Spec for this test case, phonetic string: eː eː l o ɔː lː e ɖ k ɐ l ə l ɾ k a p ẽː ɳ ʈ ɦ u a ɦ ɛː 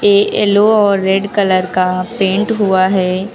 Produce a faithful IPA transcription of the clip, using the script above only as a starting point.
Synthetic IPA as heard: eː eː l o ɔː ɾː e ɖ k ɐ l ə ɾ k a p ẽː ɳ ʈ ɦ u a ɦ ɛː